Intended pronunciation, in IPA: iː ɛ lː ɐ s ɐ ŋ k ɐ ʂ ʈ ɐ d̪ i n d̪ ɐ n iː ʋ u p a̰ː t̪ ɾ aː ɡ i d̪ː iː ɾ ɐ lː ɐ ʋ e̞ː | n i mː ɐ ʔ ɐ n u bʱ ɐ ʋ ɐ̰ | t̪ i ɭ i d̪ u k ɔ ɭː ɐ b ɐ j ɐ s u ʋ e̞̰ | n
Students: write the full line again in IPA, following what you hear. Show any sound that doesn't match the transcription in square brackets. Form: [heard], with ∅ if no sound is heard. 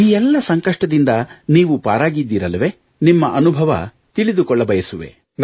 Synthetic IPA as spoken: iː ɛ lː ɐ s ɐ ŋ k ɐ ʂ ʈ ɐ d̪ i n d̪ ɐ n iː ʋ u p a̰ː [∅] ɾ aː ɡ i d̪ː iː ɾ ɐ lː ɐ ʋ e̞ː | n i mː ɐ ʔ ɐ n u bʱ ɐ ʋ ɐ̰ | t̪ i ɭ i d̪ u k ɔ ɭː ɐ b ɐ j ɐ s u ʋ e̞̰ | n